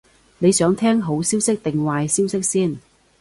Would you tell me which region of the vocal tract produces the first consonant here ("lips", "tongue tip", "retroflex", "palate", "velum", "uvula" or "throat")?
tongue tip